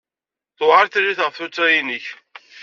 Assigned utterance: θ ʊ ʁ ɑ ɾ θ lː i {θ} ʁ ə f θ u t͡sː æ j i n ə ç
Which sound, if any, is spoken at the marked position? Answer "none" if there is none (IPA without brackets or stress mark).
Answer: θ